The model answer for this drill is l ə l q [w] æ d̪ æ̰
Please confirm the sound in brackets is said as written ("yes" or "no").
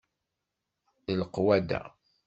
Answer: yes